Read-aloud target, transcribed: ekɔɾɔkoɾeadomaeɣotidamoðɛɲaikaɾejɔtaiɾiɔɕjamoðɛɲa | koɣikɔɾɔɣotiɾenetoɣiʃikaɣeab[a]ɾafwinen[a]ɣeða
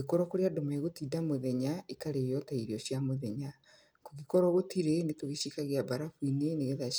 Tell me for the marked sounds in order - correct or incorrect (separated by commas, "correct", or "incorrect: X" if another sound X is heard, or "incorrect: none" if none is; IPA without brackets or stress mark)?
correct, incorrect: e